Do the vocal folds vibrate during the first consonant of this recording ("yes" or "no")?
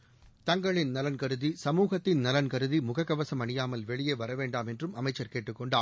no